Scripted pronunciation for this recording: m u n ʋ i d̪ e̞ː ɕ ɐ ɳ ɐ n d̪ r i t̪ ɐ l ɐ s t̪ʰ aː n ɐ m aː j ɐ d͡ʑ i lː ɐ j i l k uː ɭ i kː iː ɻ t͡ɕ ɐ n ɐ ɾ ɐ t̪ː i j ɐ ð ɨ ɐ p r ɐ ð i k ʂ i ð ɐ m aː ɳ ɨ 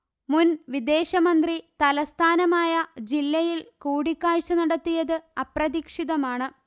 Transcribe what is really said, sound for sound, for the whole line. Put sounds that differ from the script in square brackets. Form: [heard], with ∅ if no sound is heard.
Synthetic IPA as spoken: m u n ʋ i d̪ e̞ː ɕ ɐ [m] ɐ n d̪ r i t̪ ɐ l ɐ s t̪ʰ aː n ɐ m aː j ɐ d͡ʑ i lː ɐ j i l k uː [ɽ] i kː [aː] ɻ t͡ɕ ɐ n ɐ [ɽ] ɐ t̪ː i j ɐ ð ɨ ɐ p r ɐ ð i k ʂ i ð ɐ m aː ɳ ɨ